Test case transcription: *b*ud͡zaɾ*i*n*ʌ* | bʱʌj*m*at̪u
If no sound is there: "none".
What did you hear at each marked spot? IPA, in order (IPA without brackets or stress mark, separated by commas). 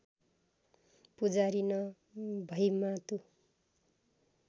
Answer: p, i, ʌ, m